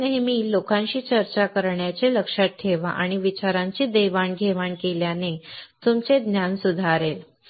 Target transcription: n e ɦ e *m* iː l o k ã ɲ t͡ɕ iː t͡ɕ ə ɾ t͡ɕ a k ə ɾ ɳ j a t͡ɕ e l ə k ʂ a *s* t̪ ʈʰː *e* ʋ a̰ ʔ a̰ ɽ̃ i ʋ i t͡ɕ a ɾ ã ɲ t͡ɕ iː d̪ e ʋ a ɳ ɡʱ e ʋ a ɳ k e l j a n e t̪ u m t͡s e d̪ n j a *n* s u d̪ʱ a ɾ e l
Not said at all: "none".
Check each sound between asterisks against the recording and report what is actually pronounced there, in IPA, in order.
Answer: m, none, e, n

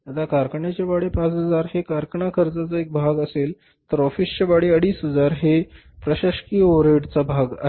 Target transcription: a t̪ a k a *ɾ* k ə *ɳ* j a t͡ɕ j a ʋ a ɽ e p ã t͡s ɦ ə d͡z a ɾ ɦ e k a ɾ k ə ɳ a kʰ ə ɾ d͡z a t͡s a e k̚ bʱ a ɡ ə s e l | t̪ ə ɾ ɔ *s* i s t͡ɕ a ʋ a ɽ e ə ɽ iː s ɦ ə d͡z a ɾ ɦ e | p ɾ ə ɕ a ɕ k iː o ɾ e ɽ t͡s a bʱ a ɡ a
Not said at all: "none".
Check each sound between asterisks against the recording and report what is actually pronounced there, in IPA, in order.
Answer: ɾ, ɳ, f

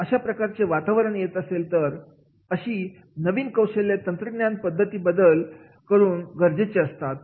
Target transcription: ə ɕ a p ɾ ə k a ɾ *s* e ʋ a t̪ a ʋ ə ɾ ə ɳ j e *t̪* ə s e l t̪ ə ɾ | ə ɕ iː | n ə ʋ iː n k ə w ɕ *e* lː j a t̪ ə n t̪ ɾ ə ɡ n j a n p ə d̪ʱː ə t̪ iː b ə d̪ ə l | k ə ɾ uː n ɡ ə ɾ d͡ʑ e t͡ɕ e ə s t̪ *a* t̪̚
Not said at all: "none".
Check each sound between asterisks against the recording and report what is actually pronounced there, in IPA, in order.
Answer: t͡s, t̪, e, a

